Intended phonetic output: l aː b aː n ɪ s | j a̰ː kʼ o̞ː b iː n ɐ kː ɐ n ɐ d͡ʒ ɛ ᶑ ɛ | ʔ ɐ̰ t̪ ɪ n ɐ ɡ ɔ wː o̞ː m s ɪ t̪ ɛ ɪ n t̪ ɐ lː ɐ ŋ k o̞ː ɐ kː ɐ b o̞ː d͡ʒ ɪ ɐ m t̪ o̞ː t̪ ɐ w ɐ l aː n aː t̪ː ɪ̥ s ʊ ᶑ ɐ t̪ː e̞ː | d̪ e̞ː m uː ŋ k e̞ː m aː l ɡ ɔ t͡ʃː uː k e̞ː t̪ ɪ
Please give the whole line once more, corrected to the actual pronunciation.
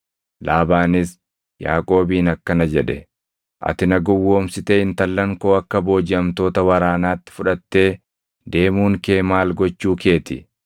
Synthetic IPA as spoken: l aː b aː n ɪ s | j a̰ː kʼ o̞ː b iː n ɐ kː ɐ n ɐ d͡ʒ ɛ ᶑ ɛ | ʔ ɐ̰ t̪ ɪ n ɐ ɡ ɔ wː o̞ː m s ɪ t̪ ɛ ɪ n t̪ ɐ lː ɐ ŋ k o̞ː ɐ kː ɐ b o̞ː d͡ʒ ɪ ɐ m t̪ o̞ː t̪ ɐ w ɐ ɾ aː n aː t̪ː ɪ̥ f ʊ ᶑ ɐ t̪ː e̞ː | d̪ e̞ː m uː ŋ k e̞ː m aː l ɡ ɔ t͡ʃː uː k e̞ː t̪ ɪ